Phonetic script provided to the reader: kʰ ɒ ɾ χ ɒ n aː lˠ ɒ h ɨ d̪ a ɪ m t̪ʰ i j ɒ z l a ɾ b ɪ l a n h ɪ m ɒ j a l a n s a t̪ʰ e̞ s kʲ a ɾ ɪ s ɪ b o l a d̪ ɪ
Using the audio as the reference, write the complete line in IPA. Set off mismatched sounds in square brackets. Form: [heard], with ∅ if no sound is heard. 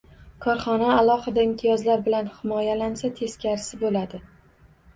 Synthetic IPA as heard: kʰ ɒ ɾ χ ɒ n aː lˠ ɒ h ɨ d̪ a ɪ m t̪ʰ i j ɒ z l a ɾ b ɪ l a n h ɪ m ɒ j a l a n s a t̪ʰ e̞ s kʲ a ɾ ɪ s ɪ b o l a d̪ ɪ